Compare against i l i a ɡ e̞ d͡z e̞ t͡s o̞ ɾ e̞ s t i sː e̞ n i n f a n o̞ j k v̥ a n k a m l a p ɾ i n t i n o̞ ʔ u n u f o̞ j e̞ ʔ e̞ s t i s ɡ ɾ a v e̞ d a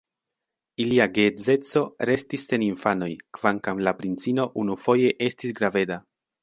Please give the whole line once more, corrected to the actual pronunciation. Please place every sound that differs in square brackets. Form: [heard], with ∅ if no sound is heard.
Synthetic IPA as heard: i l i a ɡ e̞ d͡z e̞ t͡s o̞ ɾ e̞ s t i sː e̞ n i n f a n o̞ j k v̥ a [ŋ] k a m l a p ɾ i n [t͡s] i n o̞ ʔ u n u f o̞ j e̞ ʔ e̞ s t i s ɡ ɾ a v e̞ d a

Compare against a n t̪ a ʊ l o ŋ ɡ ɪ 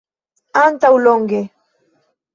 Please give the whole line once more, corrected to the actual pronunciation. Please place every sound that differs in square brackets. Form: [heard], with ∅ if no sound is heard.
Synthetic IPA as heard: a n t̪ a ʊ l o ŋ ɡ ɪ

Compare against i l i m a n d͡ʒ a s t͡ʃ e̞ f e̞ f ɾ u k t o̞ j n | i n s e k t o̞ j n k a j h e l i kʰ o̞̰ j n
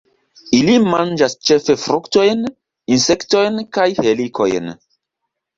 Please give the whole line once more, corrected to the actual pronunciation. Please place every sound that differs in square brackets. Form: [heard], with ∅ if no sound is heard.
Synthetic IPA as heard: i l i m a n d͡ʒ a s t͡ʃ e̞ f e̞ f ɾ u k t o̞ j n | i n s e k t o̞ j n k a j h e l i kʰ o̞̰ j n

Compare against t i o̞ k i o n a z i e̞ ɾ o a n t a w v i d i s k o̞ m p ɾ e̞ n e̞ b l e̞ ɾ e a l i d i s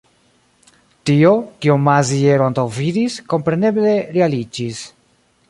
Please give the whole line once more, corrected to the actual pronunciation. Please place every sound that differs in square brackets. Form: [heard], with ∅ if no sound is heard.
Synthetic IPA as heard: t i o̞ k i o [m] a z i e̞ ɾ o a n t a w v i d i s k o̞ m p ɾ e̞ n e̞ b l e̞ ɾ e a l i [d͡ʒ] i s

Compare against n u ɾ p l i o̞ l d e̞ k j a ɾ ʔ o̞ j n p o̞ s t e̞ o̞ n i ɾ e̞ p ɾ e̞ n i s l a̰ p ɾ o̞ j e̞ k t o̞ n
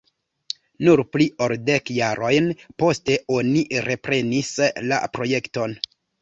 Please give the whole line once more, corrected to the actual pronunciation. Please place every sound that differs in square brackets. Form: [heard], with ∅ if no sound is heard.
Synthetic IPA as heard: n u ɾ p l i o̞ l d e̞ k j a ɾ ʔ o̞ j n p o̞ s t e̞ o̞ n i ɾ e̞ p ɾ e̞ n i s l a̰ p ɾ o̞ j e̞ k t o̞ n

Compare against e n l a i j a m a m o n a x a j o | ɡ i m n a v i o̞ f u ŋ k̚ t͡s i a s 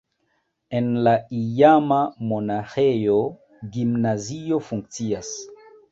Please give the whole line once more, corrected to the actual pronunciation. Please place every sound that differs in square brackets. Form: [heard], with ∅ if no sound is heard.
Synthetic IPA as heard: e n l a i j a m a m o n a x [e] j o | ɡ i m n a [z] i o̞ f u ŋ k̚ t͡s i a s

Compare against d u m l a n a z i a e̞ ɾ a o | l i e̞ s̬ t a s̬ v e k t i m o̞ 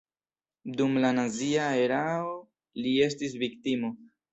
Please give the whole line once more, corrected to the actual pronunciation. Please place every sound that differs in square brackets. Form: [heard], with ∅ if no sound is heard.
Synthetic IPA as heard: d u m l a n a z i a e̞ ɾ a o | l i e̞ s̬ t [i] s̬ v [i] k t i m o̞

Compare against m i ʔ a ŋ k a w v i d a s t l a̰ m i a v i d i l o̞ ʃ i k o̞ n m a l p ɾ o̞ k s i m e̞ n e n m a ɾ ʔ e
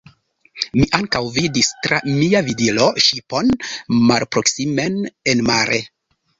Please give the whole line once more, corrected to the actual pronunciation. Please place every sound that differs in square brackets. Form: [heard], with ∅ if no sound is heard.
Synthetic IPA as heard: m i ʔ a ŋ k a w v i d [i] s t [ɾ] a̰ m i a v i d i l o̞ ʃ i [p] o̞ n m a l p ɾ o̞ k s i m e̞ n e n m a ɾ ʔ e

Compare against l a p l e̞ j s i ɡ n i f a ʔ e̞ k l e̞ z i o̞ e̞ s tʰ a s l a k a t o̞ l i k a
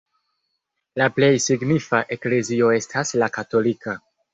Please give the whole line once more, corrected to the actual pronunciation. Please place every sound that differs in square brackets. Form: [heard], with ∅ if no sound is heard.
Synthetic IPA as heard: l a p l e̞ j s i ɡ n i f a ʔ e̞ k l e̞ z i o̞ e̞ s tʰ a s l a k a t o̞ l i k a

